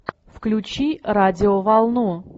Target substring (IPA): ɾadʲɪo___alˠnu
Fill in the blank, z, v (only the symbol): v